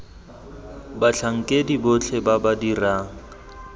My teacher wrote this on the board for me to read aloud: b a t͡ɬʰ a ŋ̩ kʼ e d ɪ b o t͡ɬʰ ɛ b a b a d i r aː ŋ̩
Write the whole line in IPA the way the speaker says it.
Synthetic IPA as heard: b a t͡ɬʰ a ŋ̩ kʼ e d i b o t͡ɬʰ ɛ b a b a d i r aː ŋ̩